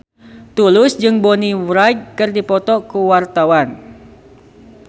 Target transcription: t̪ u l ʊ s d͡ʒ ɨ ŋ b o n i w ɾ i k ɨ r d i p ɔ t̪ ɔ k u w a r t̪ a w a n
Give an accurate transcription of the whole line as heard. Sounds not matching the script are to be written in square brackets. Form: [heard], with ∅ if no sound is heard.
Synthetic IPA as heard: t̪ u l ʊ s d͡ʒ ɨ ŋ b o n i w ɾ [a] k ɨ r d i p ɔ t̪ ɔ k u w a r t̪ a w a n

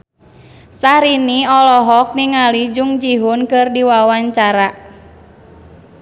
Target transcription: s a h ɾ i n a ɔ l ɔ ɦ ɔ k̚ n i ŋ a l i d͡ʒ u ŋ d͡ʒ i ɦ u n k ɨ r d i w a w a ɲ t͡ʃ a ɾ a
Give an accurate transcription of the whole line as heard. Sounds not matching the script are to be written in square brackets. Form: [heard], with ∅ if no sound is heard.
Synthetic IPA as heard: s a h ɾ i n [i] ɔ l ɔ ɦ ɔ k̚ n i ŋ a l i d͡ʒ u ŋ d͡ʒ i ɦ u n k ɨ r d i w a w a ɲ t͡ʃ a ɾ a

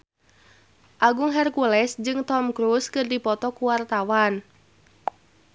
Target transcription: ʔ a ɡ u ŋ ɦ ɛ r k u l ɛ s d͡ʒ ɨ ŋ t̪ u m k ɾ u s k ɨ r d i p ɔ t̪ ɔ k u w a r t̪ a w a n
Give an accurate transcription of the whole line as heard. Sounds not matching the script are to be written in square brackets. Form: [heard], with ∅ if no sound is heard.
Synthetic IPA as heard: ʔ a ɡ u ŋ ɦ ɛ r k u l ɛ s d͡ʒ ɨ ŋ t̪ [ɔ] m k ɾ u s k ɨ r d i p ɔ t̪ ɔ k u w a r t̪ a w a n

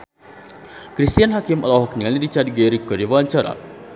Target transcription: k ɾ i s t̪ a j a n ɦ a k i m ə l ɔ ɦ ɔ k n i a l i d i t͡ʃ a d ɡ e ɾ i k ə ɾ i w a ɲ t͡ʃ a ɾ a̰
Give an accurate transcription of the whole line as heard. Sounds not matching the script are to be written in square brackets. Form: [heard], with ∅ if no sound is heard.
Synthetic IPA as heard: k ɾ i s t̪ [i] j a n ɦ a k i m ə l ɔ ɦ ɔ k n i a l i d i t͡ʃ a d ɡ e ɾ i k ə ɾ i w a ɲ t͡ʃ a ɾ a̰

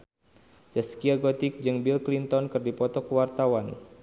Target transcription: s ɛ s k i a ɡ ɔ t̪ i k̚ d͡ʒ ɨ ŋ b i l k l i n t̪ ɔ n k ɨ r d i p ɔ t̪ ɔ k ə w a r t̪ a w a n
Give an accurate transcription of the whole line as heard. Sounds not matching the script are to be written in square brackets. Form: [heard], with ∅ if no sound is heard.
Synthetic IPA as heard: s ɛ s k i a ɡ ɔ t̪ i k̚ d͡ʒ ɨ ŋ b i l k l i n t̪ ɔ n k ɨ r d i p ɔ t̪ ɔ k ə w a r t̪ a w a n

